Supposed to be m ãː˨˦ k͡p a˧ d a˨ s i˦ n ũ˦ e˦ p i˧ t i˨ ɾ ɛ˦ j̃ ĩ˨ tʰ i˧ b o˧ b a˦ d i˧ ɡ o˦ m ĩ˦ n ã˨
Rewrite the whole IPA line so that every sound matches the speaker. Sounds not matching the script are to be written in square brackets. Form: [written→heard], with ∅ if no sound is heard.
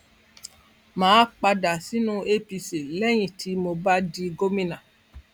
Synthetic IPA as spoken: m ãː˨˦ k͡p a˧ d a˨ s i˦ n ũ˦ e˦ p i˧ [t→s] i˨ [ɾ→l] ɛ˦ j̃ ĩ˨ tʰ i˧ [b→m] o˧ b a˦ d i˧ ɡ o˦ m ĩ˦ n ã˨